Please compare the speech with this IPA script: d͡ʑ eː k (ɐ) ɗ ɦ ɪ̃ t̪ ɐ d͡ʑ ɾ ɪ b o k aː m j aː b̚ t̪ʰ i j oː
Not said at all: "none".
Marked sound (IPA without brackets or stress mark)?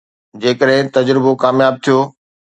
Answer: ə